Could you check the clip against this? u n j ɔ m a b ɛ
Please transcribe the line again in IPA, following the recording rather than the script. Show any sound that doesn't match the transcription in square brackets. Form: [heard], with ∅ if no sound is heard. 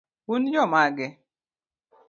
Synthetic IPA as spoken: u n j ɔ m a [ɡ] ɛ